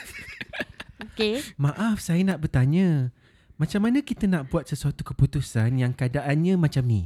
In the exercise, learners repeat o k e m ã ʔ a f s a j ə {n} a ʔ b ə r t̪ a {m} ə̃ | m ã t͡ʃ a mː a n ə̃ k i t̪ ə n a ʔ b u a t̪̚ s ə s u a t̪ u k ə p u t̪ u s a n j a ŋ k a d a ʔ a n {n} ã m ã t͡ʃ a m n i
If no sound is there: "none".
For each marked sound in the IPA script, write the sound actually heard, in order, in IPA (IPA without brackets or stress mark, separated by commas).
n, ɲ, ɲ